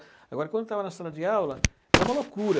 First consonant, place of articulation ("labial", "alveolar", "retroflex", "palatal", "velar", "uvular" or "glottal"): velar